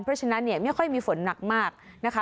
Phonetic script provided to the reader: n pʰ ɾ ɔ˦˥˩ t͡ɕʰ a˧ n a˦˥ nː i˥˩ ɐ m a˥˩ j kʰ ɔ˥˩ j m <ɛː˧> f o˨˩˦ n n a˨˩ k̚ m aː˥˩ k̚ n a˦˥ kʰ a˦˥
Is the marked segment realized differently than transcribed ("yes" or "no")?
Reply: yes